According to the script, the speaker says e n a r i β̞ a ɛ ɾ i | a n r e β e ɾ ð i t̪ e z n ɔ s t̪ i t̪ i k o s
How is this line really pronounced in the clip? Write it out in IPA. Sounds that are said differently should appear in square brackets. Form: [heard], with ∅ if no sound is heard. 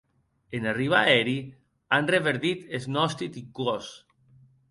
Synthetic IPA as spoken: e n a r i β̞ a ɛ ɾ i | a n r e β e ɾ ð i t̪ e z n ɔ s t̪ i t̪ i k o s